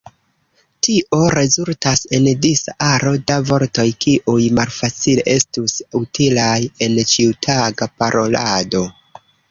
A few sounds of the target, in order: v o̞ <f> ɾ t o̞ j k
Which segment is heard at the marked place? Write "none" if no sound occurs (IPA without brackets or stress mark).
none